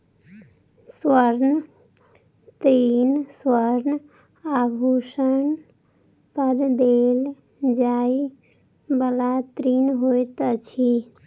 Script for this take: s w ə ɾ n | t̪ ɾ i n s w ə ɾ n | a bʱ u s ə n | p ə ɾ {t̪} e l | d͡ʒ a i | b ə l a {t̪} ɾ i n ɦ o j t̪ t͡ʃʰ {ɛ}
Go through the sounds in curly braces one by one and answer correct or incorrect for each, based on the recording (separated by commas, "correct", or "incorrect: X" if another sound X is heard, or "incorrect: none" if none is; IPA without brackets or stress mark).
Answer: incorrect: d̪, correct, incorrect: i